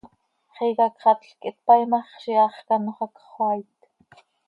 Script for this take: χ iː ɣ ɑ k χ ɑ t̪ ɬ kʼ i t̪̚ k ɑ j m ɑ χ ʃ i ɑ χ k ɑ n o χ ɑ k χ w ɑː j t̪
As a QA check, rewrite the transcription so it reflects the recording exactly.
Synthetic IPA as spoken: χ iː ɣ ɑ k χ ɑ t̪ ɬ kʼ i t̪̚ p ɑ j m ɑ χ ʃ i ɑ χ k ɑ n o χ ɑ k χ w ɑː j t̪

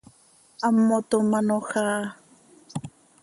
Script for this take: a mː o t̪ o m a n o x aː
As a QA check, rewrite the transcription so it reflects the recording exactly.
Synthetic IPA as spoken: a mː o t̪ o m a n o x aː

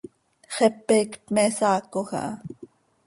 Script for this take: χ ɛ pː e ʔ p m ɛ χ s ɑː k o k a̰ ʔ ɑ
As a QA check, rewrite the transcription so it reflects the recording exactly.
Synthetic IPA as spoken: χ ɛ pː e k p m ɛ s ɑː k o x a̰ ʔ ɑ

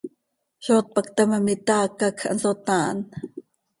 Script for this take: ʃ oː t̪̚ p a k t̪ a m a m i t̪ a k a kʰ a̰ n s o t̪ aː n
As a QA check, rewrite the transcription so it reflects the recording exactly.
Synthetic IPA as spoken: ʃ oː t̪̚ p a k t̪ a m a m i t̪ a k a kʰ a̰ n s o t̪ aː n

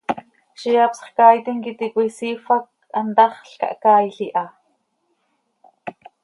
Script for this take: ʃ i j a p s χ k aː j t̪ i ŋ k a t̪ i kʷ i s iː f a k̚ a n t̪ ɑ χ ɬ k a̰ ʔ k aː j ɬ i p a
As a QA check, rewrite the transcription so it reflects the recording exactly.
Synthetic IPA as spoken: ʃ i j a p s χ k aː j t̪ i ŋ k i t̪ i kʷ i s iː f a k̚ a n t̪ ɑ χ ɬ k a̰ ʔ k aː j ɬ i ʔ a

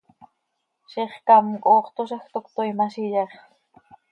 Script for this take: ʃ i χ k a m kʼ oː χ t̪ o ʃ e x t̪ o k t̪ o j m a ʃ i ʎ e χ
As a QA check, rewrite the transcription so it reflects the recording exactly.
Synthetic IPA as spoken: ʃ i χ k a m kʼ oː χ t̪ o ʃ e x t̪ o k t̪ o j m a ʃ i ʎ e χ

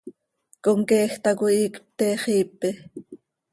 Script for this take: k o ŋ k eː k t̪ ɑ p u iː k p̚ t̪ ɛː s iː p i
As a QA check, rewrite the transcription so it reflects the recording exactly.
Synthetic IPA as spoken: k o ŋ k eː x t̪ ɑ k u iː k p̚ t̪ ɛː χ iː p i

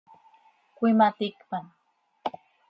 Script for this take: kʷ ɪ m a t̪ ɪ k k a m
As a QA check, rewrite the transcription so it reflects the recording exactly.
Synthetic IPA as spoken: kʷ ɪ m a t̪ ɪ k p a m

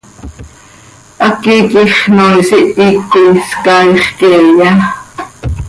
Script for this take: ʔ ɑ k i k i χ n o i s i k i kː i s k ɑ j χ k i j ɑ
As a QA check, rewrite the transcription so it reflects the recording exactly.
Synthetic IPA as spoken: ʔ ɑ k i k i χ n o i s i ʔ i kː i s k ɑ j χ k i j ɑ

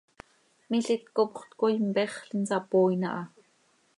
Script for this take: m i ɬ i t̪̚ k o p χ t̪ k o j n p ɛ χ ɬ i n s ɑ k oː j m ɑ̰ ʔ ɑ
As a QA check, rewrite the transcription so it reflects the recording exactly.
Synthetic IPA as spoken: m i ɬ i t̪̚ k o p χ t̪ k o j m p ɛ χ ɬ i n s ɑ p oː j n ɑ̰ ʔ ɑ

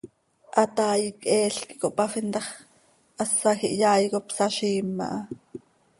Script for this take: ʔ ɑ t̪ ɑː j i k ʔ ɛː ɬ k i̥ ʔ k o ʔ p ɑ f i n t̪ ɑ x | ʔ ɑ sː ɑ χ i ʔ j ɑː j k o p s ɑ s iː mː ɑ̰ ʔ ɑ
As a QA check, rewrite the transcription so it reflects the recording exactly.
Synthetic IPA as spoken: ʔ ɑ t̪ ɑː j i k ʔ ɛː ɬ k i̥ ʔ k o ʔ p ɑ f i n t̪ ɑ χ | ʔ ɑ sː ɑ x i ʔ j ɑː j k o p s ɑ ʃ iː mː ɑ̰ ʔ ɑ

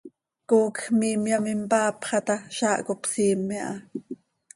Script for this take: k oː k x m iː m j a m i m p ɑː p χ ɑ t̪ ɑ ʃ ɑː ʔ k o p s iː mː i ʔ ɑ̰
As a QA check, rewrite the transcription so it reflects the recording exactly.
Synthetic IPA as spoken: k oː k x m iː m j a m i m p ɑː p χ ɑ t̪ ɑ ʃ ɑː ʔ k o p s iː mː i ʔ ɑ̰

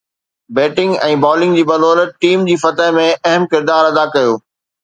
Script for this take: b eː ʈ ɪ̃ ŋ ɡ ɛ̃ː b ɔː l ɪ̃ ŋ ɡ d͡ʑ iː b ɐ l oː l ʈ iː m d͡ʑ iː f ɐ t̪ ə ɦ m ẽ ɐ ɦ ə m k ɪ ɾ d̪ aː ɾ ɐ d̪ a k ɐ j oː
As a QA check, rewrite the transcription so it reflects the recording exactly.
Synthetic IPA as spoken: b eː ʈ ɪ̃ ŋ ɡ ɛ̃ː b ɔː l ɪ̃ ŋ ɡ d͡ʑ iː b ɐ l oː l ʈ iː m d͡ʑ iː f ɐ t̪ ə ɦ m ẽ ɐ ɦ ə m k ɪ ɾ d̪ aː ɾ ɐ d̪ a k ɐ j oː

